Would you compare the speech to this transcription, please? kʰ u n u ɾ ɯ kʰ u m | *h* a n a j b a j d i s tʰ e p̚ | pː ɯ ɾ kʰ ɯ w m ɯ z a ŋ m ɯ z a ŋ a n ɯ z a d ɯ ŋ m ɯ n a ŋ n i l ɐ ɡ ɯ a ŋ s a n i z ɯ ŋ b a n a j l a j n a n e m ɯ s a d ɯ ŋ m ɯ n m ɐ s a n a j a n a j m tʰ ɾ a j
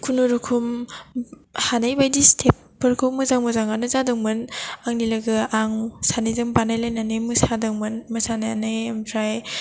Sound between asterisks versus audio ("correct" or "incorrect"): correct